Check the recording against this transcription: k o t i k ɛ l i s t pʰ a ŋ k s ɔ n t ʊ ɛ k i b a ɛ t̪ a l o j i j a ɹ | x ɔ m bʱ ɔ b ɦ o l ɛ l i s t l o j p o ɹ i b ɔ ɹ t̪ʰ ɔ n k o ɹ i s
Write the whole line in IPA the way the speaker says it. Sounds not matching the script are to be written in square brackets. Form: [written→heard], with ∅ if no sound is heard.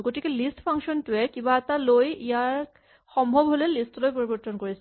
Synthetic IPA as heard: [k→ɡ] o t i k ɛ l i s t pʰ a ŋ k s ɔ n t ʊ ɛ k i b a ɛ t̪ a l o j i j a ɹ | x ɔ m bʱ ɔ b ɦ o l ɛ l i s t l o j p o ɹ i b ɔ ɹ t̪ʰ ɔ n k o ɹ i s